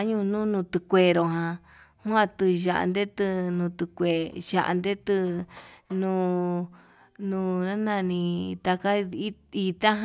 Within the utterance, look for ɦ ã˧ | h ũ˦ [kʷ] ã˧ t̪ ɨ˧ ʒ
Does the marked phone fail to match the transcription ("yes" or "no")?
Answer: yes